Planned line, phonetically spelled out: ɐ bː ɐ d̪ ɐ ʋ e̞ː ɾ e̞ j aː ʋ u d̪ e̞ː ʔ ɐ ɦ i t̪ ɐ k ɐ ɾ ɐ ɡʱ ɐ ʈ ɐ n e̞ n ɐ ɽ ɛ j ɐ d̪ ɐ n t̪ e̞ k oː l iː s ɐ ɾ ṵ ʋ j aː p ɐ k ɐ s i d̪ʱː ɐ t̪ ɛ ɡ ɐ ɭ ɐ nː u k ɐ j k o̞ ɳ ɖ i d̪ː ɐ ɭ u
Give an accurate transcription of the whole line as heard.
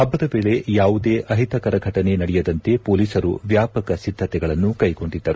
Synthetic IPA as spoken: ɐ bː ɐ d̪ ɐ ʋ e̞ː ɭ e̞ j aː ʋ u d̪ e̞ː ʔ ɐ ɦ i t̪ ɐ k ɐ ɾ ɐ ɡʱ ɐ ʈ ɐ n e̞ n ɐ ɽ ɛ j ɐ d̪ ɐ n t̪ e̞ p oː l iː s ɐ ɾ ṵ ʋ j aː p ɐ k ɐ s i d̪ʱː ɐ t̪ ɛ ɡ ɐ ɭ ɐ nː u k ɐ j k o̞ ɳ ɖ i d̪ː ɐ ɾ u